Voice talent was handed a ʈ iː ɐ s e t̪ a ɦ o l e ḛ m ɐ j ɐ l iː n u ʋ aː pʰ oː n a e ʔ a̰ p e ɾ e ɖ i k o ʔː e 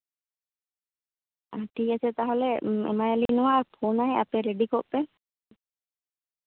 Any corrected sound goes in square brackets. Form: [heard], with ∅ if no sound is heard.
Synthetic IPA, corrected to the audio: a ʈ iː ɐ s e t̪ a ɦ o l e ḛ m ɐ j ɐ l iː n u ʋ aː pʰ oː n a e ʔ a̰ p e ɾ e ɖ i k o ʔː e